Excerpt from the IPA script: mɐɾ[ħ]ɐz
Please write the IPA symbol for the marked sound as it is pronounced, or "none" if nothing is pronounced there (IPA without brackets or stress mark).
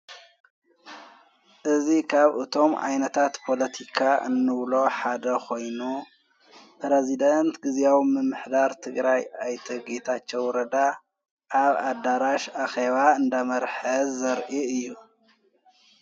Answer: ħ